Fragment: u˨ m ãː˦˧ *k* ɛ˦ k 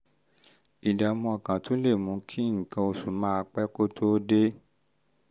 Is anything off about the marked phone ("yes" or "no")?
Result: yes